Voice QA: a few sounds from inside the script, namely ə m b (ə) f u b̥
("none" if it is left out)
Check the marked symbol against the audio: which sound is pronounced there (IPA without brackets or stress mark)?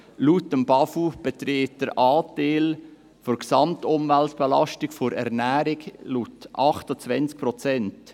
ɑ